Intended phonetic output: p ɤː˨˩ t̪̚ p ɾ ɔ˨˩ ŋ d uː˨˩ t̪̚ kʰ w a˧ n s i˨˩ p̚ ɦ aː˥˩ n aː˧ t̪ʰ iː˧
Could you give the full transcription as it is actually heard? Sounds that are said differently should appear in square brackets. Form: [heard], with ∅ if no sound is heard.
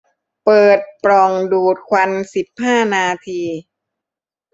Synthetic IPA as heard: p ɤː˨˩ t̪̚ p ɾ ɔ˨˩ ŋ d uː˨˩ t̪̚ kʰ w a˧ n s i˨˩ p̚ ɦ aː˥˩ n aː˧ t̪ʰ iː˧